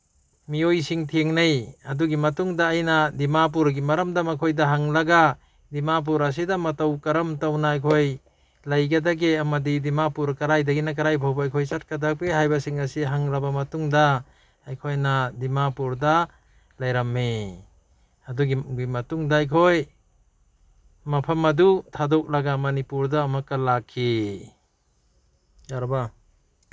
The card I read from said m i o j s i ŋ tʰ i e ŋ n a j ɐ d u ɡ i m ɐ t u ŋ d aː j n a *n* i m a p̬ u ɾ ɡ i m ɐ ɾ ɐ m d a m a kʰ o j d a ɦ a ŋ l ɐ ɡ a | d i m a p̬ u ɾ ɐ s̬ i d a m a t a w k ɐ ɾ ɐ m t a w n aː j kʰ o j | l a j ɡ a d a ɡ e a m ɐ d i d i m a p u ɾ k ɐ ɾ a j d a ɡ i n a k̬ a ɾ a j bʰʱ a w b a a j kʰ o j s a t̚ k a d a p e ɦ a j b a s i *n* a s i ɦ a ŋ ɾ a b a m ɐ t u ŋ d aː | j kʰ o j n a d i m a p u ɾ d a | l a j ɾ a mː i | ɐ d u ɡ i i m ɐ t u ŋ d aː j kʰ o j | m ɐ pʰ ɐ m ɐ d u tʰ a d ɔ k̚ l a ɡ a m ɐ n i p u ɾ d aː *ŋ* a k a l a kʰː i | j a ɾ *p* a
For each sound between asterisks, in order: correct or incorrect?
incorrect, incorrect, incorrect, incorrect

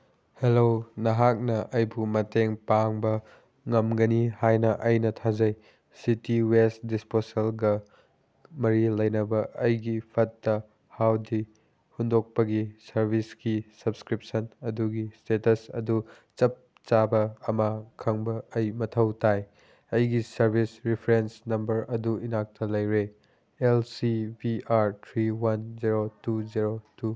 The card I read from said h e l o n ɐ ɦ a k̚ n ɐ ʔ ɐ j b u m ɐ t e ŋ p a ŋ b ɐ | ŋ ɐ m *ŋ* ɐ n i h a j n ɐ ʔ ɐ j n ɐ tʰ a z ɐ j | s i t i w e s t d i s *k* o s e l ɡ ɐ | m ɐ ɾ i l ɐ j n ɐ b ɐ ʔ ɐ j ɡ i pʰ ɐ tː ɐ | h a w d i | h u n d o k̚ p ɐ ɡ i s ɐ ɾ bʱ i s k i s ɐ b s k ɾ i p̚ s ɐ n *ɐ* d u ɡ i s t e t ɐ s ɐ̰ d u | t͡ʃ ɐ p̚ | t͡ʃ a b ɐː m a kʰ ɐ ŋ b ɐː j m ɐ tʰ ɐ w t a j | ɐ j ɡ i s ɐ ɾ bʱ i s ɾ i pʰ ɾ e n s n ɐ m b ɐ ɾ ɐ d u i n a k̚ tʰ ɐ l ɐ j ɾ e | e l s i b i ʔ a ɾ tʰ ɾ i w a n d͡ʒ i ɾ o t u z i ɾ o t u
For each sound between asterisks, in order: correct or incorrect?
incorrect, incorrect, correct

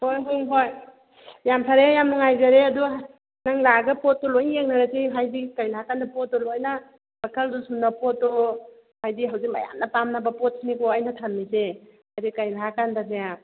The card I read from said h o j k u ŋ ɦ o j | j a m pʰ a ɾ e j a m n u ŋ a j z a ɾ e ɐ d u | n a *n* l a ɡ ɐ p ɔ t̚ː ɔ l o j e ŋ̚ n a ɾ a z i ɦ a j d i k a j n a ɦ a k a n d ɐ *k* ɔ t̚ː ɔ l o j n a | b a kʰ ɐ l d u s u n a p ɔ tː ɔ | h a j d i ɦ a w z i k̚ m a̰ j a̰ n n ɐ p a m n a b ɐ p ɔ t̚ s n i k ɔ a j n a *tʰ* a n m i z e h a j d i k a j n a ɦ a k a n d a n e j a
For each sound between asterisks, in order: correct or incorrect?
incorrect, incorrect, correct

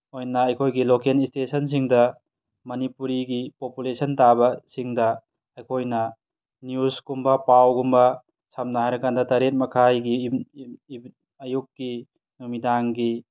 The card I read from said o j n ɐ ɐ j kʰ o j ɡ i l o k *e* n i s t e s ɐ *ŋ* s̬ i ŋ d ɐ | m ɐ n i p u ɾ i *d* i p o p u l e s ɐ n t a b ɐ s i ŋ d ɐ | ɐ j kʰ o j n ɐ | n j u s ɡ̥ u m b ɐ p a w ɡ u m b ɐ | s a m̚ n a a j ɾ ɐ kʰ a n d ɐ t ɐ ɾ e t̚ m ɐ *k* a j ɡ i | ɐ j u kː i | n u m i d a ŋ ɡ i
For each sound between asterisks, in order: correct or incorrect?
correct, incorrect, incorrect, incorrect

